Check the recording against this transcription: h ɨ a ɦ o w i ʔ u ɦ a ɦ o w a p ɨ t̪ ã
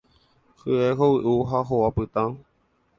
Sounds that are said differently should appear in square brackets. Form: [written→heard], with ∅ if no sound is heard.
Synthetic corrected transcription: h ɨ [a→e] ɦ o w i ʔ u ɦ a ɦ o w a p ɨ t̪ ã